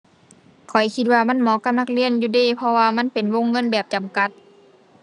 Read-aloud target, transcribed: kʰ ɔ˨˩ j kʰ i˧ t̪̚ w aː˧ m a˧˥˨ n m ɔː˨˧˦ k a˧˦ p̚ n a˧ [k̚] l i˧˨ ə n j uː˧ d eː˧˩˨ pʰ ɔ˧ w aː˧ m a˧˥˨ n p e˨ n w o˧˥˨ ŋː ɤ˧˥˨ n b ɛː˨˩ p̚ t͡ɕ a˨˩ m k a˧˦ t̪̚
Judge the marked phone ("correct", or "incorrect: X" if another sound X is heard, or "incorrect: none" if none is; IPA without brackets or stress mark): correct